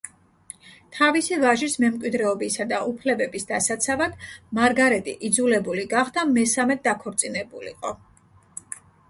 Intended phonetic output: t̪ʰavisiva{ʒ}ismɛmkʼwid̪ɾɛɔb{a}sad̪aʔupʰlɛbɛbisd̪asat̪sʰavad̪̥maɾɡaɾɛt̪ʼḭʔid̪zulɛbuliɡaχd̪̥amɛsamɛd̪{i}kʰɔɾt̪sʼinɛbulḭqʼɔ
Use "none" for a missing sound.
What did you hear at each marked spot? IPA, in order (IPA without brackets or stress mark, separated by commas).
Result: ʒ, i, a